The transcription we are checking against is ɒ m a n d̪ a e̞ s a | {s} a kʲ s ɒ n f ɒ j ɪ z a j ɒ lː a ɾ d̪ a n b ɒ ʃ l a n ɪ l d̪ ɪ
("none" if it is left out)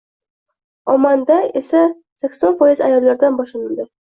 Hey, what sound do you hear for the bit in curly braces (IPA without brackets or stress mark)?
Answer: s